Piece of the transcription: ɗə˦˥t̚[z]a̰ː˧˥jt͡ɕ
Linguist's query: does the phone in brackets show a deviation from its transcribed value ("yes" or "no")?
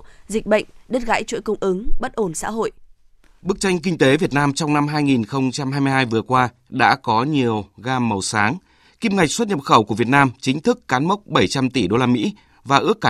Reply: yes